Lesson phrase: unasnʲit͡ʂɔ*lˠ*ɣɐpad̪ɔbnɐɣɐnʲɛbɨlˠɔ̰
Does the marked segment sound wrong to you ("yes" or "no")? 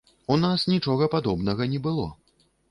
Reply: yes